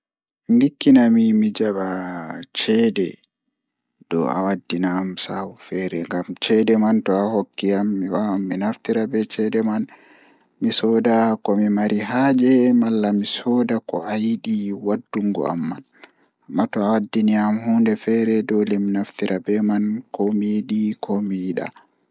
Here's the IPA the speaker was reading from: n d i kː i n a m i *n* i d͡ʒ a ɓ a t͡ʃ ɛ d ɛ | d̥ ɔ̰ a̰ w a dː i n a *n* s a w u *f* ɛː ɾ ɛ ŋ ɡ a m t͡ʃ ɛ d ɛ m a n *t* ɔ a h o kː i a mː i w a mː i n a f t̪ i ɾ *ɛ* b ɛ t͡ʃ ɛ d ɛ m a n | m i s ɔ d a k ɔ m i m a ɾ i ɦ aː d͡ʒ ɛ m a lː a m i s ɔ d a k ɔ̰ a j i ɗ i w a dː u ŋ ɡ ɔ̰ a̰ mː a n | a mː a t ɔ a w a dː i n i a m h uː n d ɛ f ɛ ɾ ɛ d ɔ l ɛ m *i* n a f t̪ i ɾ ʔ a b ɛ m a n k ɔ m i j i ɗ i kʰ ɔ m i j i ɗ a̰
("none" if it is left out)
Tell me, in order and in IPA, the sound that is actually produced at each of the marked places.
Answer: m, m, f, t, a, i

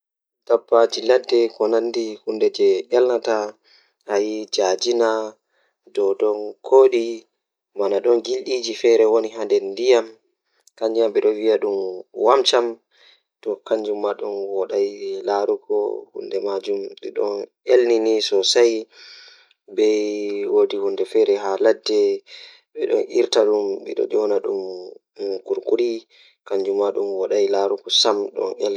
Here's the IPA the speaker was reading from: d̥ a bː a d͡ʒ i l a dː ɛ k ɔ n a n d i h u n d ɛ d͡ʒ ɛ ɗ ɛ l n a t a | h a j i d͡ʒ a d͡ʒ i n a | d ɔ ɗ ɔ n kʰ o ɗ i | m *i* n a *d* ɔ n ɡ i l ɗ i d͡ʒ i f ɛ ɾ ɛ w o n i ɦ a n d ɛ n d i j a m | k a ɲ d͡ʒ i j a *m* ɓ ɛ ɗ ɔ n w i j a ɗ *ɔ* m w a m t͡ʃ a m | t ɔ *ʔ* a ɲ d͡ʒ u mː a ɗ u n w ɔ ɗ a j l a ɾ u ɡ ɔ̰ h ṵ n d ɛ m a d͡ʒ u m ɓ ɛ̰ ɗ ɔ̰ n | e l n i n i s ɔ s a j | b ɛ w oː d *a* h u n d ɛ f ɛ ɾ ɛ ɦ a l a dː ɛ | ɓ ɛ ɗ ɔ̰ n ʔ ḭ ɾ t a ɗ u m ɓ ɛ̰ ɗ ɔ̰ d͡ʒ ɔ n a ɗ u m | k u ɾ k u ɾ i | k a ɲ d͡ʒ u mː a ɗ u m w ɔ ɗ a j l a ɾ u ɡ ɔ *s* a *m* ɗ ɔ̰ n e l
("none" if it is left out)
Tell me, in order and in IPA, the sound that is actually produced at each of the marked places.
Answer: a, ɗ, m, u, k, i, s, m

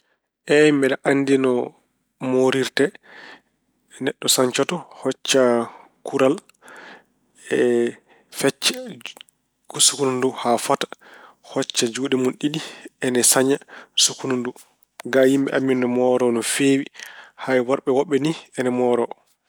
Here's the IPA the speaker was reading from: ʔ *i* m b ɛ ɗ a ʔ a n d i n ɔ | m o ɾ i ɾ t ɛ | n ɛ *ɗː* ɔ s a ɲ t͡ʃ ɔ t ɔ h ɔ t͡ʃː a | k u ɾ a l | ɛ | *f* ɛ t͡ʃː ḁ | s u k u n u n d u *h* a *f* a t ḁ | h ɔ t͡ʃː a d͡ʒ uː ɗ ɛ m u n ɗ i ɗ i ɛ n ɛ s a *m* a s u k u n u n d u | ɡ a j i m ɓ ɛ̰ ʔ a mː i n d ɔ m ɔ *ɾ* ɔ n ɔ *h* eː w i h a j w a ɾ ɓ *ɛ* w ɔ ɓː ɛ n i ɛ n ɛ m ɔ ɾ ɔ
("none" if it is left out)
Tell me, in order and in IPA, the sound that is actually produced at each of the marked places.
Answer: ɛ, ɗː, f, h, f, ɲ, ɾ, f, ɛ

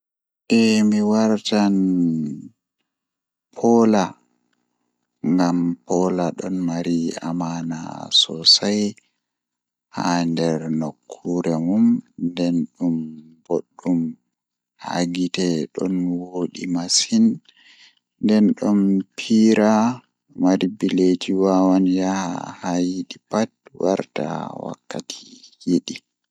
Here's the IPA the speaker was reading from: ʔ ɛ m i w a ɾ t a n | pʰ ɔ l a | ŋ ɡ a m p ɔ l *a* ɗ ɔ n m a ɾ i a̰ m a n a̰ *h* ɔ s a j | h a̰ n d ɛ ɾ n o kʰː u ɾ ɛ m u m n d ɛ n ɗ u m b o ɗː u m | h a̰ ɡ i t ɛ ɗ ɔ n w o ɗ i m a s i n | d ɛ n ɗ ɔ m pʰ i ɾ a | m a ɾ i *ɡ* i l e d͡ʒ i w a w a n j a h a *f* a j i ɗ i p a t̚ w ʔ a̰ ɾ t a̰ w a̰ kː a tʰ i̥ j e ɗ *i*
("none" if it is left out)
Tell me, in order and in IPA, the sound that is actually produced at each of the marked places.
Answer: a, s, b, h, i

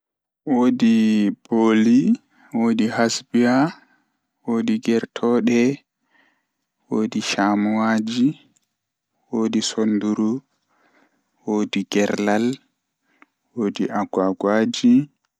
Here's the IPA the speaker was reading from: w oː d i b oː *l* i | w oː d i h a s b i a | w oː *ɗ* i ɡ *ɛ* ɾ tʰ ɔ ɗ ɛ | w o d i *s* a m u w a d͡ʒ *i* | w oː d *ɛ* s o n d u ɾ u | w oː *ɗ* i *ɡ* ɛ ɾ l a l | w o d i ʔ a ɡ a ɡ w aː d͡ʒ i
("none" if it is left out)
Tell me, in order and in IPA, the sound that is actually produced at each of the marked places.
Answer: l, d, ɛ, ʃ, i, i, d, ɡ

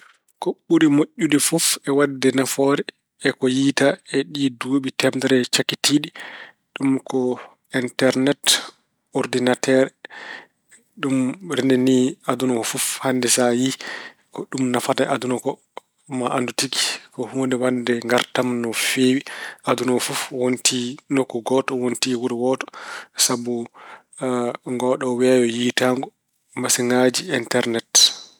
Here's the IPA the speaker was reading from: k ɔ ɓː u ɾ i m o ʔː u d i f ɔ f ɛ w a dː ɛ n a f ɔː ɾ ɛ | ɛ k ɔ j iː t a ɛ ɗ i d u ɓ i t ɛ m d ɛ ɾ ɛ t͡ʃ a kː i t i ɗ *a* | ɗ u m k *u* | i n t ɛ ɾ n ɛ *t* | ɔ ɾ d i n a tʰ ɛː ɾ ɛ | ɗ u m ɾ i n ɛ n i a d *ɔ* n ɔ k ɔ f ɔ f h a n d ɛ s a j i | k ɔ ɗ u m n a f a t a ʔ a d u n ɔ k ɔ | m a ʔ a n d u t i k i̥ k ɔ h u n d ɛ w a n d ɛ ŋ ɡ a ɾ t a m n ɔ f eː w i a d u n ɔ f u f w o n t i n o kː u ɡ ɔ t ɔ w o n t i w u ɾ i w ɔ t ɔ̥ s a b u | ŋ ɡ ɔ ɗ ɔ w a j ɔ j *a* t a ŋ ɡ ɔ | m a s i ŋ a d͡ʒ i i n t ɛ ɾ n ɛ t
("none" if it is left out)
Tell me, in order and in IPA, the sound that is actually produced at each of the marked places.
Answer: i, ɔ, t, u, i

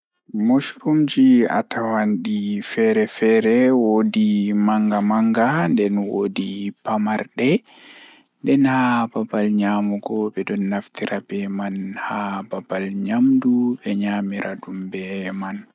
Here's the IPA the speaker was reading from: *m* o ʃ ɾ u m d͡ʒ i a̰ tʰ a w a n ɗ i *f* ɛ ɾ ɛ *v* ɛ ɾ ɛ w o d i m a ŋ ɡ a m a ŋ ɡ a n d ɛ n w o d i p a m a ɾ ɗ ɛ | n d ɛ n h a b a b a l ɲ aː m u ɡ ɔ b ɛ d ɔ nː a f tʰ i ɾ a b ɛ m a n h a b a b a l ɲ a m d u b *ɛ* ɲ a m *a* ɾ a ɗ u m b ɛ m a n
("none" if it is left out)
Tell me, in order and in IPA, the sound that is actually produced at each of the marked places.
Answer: m, f, f, ɛ, i

